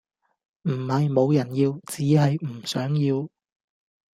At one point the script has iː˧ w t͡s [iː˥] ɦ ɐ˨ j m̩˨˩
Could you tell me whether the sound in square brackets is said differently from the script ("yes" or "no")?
yes